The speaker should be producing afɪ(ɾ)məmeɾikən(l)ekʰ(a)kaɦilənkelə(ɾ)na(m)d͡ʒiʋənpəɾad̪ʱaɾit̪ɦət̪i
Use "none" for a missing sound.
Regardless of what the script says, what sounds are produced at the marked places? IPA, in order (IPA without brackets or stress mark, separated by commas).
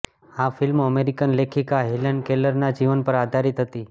l, l, i, ɾ, none